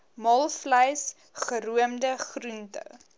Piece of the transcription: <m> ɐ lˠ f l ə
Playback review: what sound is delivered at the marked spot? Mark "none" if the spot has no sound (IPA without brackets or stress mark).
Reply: m